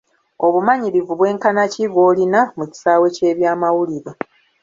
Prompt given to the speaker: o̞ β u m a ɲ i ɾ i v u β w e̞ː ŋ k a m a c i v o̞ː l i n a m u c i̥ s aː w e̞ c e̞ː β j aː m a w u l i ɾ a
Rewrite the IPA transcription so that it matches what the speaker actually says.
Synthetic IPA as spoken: o̞ β u m a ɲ i ɾ i v u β w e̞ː ŋ k a n a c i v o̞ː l i n a m u c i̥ s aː w e̞ c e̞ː β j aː m a w u l i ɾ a